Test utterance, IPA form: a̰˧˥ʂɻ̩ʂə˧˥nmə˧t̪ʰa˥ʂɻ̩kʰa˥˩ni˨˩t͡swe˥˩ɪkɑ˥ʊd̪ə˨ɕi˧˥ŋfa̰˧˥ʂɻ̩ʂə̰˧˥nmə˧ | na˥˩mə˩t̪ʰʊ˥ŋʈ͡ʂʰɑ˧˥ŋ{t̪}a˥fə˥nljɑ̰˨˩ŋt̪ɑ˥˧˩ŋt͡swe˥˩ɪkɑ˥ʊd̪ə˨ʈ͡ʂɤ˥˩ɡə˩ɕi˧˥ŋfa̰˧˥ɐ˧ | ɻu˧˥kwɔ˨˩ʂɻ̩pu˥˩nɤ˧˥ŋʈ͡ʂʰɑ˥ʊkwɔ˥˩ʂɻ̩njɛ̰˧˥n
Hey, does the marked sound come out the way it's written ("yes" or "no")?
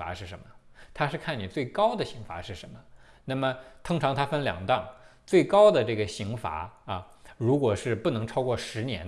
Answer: no